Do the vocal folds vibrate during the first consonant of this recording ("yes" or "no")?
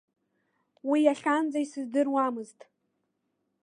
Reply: yes